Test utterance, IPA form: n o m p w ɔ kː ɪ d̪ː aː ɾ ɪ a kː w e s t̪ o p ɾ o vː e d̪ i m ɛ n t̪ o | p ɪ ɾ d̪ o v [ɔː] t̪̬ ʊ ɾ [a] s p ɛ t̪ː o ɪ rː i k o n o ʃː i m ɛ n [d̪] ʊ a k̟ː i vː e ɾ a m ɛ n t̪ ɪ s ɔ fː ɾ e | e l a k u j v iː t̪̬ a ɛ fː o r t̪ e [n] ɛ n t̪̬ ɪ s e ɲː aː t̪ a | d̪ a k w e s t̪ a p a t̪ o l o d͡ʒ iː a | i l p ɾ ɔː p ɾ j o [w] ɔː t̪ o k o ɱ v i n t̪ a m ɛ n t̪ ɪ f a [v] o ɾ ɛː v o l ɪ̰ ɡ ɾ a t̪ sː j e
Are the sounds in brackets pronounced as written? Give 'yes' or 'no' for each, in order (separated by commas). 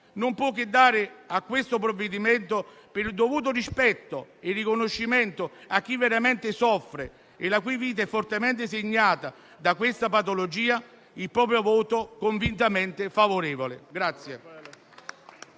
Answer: no, no, no, no, no, yes